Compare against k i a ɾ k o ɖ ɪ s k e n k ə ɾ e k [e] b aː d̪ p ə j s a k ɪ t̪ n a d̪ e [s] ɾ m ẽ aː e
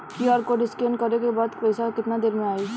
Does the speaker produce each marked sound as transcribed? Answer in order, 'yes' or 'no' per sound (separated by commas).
yes, no